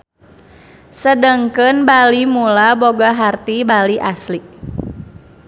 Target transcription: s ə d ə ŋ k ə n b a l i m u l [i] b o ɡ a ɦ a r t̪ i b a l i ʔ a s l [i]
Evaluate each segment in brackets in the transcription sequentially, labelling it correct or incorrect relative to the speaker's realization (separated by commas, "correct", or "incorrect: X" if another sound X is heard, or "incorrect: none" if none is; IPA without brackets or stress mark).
incorrect: a, correct